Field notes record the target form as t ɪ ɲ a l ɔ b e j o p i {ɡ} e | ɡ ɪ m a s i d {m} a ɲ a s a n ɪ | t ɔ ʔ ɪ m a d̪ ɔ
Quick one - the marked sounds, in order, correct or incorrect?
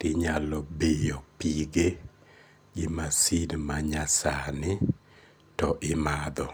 correct, correct

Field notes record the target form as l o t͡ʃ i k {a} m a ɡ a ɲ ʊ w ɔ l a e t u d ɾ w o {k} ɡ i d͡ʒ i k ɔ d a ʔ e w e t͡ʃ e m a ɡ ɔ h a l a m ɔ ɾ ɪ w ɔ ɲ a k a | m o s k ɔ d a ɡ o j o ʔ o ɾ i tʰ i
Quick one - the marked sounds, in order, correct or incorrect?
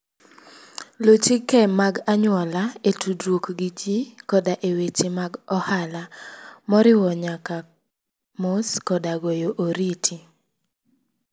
incorrect: ɛ, correct

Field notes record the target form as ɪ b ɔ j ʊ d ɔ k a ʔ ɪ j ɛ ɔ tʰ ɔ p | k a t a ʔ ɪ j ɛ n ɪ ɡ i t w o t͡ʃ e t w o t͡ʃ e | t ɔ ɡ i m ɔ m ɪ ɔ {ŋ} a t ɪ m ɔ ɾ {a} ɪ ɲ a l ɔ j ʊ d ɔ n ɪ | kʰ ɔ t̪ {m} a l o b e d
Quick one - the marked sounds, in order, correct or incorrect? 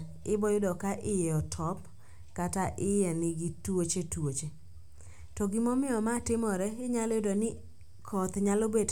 incorrect: m, incorrect: ɛ, incorrect: ɲ

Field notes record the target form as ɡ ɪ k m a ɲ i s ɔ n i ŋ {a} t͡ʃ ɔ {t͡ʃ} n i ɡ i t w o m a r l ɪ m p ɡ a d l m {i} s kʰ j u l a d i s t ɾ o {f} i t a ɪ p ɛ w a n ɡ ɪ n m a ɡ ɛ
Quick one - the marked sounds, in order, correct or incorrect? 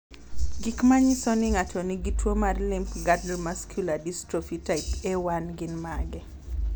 correct, incorrect: none, incorrect: a, correct

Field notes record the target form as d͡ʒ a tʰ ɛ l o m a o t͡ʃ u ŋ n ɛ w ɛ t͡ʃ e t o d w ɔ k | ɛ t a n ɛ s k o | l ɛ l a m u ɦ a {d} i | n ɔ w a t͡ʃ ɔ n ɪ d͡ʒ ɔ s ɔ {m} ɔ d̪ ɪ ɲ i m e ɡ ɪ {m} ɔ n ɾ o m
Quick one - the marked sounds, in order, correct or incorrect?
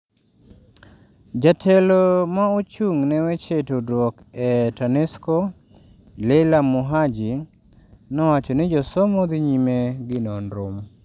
incorrect: d͡ʒ, correct, incorrect: n

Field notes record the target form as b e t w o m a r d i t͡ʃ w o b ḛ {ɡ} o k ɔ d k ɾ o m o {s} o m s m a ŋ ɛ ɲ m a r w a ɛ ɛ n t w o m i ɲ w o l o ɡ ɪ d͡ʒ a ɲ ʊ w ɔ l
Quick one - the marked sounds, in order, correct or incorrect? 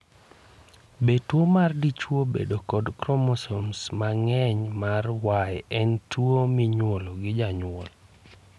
incorrect: d, correct

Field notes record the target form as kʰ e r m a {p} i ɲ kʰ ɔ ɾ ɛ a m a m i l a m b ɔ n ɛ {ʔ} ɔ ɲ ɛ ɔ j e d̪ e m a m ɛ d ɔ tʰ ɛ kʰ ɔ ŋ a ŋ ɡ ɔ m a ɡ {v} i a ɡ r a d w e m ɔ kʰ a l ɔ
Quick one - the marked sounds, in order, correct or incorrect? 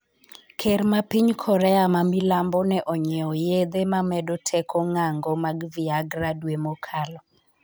correct, correct, correct

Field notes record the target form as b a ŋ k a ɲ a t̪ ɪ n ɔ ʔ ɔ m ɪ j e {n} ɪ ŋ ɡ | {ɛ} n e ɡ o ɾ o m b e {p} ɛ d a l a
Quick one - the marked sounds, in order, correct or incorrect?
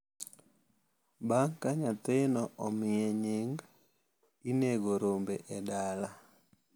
incorrect: ɲ, incorrect: i, incorrect: ʔ

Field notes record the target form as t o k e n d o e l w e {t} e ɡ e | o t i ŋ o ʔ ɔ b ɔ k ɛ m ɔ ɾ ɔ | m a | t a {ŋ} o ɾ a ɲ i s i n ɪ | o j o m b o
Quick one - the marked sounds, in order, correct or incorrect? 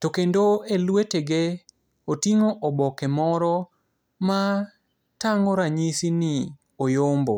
correct, correct

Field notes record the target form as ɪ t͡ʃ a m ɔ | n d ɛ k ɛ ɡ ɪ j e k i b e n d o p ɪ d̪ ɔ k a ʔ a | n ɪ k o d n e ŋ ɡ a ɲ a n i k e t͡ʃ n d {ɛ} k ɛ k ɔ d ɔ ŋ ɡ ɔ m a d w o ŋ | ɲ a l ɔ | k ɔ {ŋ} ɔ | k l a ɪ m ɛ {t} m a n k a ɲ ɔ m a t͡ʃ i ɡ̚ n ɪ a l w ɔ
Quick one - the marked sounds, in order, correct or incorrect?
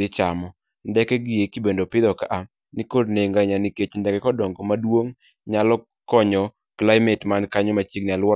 correct, incorrect: ɲ, correct

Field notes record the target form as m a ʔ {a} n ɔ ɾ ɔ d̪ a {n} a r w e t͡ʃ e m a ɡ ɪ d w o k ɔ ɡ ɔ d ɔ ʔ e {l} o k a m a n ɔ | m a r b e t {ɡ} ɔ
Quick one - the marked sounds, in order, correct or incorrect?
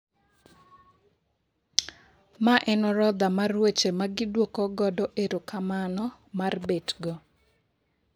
incorrect: ɛ, incorrect: m, incorrect: ɾ, correct

